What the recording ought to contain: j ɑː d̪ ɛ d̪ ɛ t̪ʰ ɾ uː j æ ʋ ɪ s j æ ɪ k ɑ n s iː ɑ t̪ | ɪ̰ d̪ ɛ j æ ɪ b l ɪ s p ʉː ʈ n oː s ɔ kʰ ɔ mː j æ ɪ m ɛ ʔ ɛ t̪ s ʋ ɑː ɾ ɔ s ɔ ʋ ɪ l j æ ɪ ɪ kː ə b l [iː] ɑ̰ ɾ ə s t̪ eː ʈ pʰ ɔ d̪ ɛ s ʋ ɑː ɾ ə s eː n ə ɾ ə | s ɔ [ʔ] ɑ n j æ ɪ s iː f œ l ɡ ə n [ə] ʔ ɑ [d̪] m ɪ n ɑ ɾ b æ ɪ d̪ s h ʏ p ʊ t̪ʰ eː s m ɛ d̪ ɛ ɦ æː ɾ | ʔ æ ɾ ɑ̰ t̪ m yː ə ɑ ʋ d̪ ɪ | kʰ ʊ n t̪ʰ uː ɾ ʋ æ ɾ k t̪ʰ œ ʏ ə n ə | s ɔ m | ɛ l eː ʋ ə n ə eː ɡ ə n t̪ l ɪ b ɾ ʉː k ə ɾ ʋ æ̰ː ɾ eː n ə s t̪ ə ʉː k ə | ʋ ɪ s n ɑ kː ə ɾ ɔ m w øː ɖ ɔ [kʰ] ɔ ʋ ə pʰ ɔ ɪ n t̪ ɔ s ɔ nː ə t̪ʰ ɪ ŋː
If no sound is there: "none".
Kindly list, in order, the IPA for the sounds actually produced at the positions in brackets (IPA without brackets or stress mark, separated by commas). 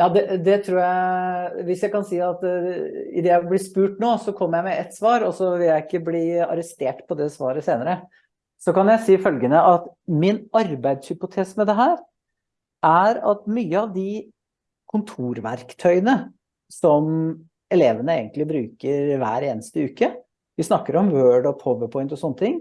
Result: iː, k, ə, t̪, pʰ